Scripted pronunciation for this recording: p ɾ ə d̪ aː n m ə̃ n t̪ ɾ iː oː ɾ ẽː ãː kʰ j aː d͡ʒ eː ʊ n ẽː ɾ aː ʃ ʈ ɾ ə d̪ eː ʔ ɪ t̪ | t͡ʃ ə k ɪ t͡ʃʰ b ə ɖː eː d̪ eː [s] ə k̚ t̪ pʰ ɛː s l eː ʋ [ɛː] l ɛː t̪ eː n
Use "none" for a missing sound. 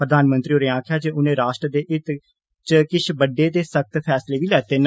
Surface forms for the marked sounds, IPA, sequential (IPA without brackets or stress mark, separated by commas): s, iː